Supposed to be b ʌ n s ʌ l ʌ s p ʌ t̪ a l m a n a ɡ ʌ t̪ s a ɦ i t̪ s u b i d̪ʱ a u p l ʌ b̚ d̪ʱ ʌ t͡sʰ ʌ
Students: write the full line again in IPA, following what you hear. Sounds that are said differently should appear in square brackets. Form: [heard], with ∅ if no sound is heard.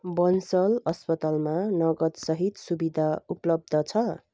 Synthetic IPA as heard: b ʌ n s ʌ l ʌ s p ʌ t̪ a l m a n [ʌ] ɡ ʌ t̪ s [ʌ] ɦ i t̪ s u b i d̪ʱ a u p l ʌ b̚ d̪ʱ ʌ t͡sʰ ʌ